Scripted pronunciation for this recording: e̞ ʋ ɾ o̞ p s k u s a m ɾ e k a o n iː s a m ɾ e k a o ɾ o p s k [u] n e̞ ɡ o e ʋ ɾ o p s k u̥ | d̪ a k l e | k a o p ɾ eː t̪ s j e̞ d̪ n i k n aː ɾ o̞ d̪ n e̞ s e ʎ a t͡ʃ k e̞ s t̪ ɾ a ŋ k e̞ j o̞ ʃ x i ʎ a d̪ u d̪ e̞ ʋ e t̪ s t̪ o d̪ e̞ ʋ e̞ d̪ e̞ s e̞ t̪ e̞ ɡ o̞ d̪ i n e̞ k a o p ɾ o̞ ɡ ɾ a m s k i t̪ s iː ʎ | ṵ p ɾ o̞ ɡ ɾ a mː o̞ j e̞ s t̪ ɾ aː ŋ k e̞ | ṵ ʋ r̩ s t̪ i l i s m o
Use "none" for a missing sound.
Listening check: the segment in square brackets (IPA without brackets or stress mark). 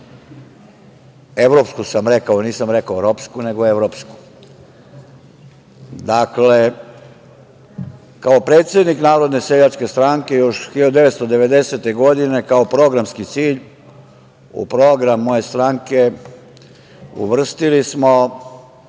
u